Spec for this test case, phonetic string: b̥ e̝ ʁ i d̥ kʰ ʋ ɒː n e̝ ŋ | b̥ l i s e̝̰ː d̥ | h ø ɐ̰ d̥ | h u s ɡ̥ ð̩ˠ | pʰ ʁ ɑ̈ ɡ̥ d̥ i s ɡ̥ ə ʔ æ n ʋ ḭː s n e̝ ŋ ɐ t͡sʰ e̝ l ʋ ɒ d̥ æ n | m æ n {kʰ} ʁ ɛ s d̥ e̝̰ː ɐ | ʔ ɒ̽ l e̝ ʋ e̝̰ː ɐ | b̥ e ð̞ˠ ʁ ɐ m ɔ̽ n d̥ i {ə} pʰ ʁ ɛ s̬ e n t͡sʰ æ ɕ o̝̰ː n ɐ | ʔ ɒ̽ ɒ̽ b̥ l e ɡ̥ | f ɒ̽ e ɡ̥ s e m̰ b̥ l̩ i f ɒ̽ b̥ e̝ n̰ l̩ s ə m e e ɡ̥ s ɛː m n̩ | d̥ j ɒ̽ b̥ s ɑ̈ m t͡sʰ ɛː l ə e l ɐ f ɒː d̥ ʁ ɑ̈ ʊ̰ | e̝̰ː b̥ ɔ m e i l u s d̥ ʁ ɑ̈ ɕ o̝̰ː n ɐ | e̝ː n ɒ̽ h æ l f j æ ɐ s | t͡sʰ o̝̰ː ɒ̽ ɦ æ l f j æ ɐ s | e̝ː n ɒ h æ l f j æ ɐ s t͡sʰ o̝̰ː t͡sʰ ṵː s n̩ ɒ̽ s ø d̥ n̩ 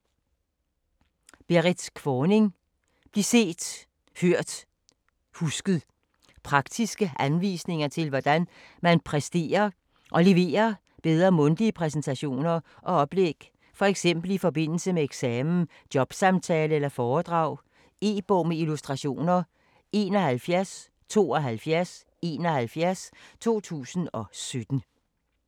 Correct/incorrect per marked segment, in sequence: incorrect, correct

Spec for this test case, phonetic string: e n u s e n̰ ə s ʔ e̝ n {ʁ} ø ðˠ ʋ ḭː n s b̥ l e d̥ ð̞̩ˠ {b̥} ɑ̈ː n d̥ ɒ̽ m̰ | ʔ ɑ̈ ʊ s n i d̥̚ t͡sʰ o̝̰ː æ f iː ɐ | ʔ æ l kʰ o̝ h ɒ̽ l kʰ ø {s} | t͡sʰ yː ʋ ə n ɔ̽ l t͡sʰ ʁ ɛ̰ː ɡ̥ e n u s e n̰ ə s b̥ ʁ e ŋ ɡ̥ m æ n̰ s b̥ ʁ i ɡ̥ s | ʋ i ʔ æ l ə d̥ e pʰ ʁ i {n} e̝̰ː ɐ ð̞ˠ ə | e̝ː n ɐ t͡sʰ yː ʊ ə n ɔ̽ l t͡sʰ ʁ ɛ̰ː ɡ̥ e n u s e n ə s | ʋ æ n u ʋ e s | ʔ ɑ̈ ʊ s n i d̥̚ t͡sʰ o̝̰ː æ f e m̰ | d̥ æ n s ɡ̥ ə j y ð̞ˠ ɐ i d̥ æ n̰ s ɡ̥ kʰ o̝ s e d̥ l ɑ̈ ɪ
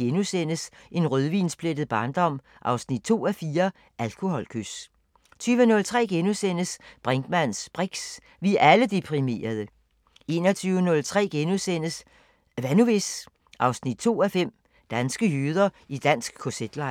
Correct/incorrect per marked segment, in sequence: correct, correct, correct, incorrect

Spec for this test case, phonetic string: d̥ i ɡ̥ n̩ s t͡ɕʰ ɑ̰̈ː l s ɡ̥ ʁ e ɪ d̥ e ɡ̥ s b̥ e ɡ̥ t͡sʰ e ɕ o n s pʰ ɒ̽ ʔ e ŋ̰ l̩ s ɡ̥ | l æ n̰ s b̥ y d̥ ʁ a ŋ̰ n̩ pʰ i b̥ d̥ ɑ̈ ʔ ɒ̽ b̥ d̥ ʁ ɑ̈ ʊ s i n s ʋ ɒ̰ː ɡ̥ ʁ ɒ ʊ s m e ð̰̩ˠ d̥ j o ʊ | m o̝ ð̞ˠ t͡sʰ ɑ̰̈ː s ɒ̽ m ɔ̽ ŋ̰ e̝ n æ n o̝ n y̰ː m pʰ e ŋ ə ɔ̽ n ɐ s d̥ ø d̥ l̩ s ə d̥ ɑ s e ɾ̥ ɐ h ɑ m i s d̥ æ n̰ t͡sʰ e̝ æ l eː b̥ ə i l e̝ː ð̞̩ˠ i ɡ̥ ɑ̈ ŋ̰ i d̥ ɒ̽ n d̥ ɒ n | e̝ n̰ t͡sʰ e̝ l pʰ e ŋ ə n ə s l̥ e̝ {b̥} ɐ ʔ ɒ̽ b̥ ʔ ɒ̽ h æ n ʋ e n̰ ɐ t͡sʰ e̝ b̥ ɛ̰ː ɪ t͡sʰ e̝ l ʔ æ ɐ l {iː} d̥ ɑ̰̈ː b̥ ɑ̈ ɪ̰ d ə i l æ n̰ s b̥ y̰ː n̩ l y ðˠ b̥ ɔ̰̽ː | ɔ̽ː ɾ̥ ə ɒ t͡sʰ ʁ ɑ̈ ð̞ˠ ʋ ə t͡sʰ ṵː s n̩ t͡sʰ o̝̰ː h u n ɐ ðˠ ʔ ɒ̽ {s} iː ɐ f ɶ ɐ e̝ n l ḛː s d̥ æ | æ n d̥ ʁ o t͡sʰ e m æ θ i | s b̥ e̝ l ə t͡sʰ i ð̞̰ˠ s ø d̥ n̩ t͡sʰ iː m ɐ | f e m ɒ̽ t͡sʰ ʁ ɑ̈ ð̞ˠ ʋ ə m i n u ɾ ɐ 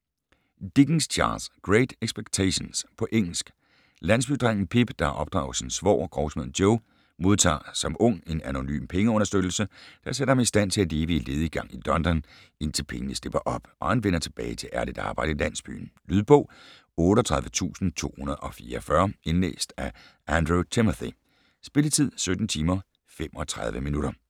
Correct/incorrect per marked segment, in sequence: correct, incorrect, incorrect

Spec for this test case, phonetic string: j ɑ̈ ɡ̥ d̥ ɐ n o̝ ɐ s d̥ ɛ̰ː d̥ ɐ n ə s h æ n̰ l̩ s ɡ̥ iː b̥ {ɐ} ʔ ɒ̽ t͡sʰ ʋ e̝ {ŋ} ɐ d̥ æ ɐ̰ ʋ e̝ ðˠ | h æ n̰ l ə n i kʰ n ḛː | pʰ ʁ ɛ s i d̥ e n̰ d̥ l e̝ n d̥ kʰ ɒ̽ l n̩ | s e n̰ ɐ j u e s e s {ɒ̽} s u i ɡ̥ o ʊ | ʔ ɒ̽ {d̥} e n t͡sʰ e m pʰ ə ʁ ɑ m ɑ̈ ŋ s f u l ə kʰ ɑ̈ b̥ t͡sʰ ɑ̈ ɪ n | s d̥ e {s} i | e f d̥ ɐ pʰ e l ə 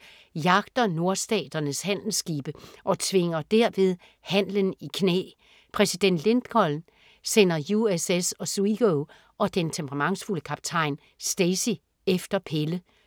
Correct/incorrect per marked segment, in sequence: incorrect, correct, correct, correct, correct

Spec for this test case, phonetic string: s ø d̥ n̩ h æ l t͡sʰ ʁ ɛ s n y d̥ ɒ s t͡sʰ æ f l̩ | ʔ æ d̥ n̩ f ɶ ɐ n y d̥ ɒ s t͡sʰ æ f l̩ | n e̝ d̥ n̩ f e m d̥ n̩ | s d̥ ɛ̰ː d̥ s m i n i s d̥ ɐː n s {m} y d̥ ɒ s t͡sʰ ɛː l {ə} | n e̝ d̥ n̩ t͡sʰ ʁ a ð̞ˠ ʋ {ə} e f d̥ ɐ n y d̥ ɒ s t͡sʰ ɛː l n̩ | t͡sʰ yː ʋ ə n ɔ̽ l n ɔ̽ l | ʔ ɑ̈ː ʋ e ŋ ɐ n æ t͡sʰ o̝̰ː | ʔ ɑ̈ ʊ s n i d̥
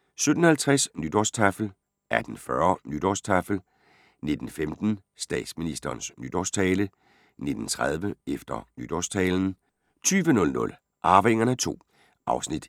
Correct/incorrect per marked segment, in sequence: incorrect, correct, correct

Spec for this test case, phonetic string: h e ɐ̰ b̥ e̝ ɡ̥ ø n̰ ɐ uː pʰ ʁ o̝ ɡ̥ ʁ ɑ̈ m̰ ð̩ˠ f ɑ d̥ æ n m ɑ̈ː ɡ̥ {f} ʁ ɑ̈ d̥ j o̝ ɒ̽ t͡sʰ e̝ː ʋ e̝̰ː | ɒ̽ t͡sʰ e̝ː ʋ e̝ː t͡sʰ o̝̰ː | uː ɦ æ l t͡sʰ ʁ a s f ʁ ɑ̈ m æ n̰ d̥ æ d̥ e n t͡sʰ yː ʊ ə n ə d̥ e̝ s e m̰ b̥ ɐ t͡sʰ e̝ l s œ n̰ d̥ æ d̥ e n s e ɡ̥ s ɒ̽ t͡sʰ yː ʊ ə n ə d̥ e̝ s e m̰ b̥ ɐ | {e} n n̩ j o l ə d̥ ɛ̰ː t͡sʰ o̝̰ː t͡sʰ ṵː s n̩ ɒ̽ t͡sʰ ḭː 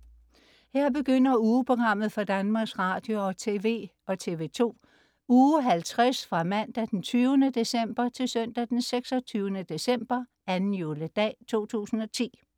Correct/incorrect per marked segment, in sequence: incorrect, incorrect

